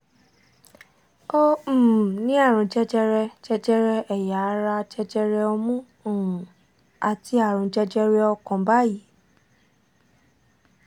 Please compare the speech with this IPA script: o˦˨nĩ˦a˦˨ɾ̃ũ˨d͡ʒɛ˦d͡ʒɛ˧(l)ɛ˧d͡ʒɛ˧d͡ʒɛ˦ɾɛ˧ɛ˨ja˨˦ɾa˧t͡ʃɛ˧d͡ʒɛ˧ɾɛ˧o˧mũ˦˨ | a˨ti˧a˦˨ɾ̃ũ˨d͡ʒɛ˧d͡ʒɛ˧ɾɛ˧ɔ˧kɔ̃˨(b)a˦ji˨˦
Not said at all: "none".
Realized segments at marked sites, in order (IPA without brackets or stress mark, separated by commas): ɾ, b